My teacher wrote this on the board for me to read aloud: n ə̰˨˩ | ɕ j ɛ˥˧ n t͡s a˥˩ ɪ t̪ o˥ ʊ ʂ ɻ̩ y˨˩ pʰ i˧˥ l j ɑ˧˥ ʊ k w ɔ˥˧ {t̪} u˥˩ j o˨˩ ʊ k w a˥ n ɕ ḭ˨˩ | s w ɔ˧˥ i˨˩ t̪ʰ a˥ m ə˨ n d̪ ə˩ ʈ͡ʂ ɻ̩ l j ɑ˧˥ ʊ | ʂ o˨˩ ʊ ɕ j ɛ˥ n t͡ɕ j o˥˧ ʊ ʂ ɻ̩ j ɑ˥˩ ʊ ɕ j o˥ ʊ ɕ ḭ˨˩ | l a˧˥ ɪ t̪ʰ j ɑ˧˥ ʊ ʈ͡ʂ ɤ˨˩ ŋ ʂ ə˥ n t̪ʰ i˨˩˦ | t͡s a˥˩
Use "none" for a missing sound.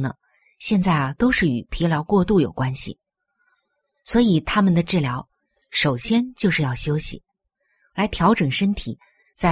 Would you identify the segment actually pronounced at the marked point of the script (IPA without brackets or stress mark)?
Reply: t̪